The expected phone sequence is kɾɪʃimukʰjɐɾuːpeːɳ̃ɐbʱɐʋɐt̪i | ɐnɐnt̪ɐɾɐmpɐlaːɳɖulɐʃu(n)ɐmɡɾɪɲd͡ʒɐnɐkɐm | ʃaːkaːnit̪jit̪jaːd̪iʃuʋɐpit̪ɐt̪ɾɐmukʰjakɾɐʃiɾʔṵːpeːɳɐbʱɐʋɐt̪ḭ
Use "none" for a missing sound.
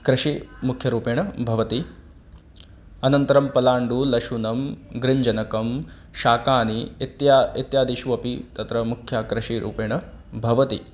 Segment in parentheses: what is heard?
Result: n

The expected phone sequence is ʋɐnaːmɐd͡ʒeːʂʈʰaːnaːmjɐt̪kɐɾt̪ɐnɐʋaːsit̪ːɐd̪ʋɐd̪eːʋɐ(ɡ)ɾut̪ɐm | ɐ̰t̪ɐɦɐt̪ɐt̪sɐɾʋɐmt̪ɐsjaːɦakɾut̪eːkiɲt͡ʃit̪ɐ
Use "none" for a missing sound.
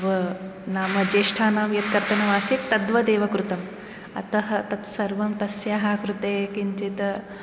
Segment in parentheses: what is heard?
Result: k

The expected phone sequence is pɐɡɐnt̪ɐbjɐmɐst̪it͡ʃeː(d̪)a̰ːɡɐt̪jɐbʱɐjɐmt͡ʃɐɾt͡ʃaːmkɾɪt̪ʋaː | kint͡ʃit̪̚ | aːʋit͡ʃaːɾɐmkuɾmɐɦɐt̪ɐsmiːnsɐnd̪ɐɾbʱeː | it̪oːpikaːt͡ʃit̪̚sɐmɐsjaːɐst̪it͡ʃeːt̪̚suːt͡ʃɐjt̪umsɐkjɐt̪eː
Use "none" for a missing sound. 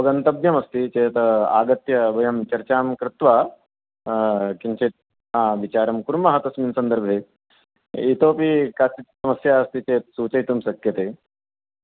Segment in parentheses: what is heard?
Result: t̪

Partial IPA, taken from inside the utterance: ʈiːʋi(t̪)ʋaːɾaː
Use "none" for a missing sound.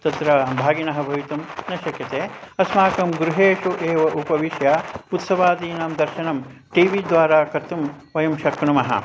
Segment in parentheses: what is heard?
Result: d̪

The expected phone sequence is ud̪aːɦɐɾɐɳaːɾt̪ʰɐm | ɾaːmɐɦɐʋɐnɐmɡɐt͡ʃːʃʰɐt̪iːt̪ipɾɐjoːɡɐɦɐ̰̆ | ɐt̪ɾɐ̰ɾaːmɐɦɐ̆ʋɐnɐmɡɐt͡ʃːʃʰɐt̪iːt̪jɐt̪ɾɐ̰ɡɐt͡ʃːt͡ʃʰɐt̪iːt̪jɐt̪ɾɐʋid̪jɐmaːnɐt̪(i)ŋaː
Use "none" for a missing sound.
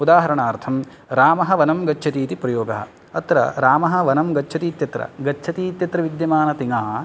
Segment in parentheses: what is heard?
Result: i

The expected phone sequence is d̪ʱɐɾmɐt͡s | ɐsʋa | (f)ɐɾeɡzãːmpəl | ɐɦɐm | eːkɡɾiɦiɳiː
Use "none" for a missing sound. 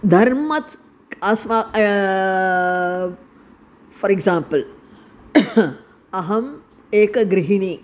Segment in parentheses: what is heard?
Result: f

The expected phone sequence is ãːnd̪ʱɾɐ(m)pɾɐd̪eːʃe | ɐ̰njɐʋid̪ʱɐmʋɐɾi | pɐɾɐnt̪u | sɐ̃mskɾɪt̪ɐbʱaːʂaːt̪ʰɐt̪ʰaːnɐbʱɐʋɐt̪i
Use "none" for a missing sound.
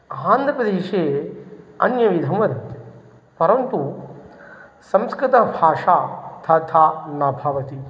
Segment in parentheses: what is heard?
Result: none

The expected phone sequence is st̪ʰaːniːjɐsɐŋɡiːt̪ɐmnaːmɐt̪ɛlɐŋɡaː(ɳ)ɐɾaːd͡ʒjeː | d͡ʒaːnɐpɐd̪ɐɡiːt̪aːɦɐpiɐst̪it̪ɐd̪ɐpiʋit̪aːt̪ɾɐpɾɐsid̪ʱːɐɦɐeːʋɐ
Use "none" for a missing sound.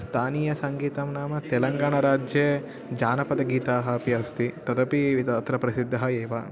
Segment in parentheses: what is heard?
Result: ɳ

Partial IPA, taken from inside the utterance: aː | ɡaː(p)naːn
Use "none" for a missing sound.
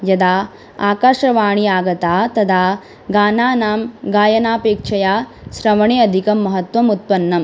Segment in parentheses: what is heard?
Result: none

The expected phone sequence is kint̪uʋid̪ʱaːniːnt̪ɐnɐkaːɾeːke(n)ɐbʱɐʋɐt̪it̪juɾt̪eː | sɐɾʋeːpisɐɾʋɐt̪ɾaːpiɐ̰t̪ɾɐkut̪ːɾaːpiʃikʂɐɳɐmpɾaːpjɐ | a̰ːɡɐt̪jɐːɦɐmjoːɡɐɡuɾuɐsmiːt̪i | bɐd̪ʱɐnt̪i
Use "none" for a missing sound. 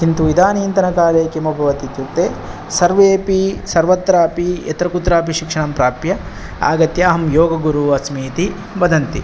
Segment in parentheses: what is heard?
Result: m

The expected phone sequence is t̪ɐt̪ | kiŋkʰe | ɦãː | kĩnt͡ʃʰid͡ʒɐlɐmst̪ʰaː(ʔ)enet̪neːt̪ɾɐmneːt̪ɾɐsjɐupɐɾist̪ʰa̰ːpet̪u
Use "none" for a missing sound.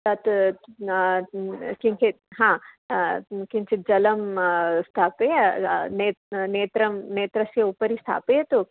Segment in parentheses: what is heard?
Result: p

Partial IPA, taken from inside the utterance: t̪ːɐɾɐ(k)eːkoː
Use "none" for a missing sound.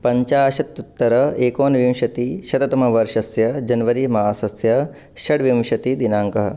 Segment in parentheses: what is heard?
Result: none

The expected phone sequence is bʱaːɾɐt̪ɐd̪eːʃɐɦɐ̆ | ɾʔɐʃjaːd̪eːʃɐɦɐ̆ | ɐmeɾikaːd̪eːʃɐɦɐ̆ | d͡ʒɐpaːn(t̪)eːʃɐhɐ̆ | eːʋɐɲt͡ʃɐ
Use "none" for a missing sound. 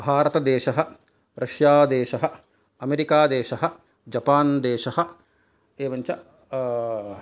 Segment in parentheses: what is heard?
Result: d̪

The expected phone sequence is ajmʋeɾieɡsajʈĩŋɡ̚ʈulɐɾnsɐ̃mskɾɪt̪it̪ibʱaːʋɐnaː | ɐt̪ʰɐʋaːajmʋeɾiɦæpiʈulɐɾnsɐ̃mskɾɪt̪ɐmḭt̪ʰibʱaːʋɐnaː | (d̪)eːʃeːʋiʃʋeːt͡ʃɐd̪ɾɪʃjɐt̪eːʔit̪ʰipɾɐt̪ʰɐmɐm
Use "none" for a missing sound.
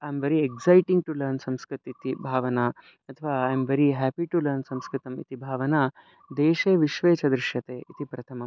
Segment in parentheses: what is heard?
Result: d̪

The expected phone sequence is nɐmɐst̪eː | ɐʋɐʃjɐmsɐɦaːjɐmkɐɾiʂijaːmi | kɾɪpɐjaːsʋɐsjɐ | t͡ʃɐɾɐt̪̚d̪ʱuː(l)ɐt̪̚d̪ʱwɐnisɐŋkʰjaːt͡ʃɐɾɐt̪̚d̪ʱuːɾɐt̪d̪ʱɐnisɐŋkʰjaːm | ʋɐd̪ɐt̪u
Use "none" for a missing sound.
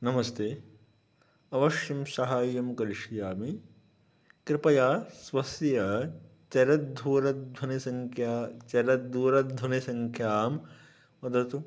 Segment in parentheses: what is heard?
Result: ɾ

